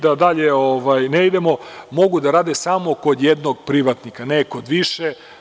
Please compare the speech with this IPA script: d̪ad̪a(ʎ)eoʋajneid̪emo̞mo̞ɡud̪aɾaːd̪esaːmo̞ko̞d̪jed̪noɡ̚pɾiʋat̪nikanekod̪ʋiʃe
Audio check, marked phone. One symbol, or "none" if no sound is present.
ʎ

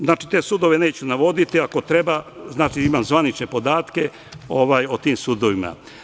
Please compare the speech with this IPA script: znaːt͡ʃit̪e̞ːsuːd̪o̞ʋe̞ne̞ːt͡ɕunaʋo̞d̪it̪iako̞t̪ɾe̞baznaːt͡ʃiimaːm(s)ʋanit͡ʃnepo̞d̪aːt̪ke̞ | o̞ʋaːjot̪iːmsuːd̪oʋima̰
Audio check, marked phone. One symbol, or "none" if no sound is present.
z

